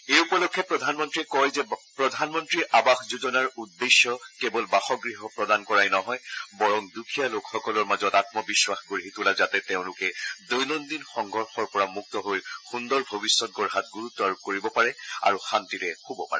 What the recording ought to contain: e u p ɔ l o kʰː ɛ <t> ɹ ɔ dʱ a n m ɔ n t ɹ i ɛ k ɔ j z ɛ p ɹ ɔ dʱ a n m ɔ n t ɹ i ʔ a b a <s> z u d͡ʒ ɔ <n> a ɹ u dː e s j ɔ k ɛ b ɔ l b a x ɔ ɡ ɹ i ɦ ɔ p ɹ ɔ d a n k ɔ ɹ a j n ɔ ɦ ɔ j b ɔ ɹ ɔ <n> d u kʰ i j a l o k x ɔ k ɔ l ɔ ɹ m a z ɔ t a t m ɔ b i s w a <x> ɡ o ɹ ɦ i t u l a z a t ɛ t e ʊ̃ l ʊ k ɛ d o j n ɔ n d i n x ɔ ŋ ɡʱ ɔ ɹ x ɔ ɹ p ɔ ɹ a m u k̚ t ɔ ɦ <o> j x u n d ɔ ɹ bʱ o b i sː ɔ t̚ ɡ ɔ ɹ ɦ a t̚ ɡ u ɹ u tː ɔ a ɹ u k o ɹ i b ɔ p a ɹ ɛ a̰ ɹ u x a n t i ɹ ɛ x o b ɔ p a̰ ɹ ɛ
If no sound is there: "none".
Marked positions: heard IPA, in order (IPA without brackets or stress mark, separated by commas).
p, x, n, ŋ, x, o